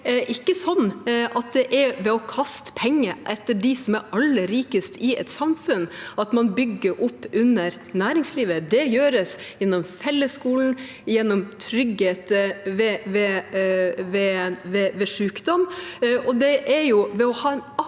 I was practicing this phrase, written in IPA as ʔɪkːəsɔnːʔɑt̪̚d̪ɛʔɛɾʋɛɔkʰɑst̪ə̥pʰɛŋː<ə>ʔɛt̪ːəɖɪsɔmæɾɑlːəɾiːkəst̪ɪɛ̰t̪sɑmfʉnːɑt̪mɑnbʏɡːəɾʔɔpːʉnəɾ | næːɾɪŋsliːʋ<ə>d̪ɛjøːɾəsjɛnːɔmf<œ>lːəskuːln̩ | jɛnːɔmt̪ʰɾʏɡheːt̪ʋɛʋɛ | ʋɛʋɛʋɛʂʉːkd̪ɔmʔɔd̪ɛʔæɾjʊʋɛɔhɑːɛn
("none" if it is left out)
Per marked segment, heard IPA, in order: ə, ə, ɛ

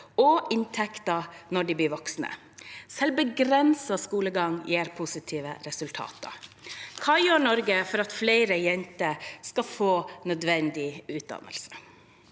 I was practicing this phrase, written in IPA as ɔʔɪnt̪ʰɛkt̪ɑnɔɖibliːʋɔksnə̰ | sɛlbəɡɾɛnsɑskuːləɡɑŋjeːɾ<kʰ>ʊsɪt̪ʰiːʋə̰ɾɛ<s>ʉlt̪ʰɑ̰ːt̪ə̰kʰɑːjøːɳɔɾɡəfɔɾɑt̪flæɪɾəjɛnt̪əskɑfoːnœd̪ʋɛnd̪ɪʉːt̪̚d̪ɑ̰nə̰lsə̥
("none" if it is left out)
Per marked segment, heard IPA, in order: pʰ, s

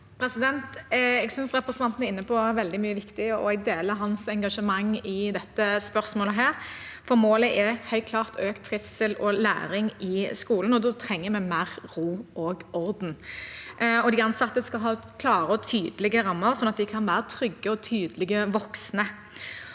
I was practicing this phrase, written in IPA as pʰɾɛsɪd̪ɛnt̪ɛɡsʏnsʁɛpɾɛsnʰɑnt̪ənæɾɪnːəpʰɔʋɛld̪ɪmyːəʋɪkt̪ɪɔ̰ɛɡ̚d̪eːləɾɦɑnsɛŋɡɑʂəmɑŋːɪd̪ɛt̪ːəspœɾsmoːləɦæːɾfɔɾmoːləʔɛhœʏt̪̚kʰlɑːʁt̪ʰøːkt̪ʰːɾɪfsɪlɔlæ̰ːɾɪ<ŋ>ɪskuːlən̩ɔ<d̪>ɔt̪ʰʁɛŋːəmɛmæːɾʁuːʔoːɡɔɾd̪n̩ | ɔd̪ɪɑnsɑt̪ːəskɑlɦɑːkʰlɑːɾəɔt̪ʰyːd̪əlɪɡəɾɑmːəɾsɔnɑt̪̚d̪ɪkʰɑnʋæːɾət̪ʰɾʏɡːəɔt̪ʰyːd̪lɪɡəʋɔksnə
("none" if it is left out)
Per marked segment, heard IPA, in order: ŋ, d̪

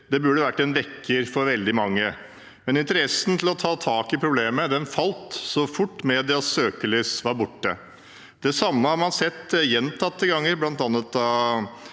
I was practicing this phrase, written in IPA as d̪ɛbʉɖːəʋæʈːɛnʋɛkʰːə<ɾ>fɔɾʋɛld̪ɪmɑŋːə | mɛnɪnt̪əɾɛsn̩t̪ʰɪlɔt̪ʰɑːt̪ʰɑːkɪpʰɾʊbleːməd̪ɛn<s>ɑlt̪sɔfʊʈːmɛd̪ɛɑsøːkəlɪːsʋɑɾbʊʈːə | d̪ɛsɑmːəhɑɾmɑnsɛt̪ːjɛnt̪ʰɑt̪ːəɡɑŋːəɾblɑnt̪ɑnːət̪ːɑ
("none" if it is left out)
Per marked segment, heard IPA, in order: ɾ, f

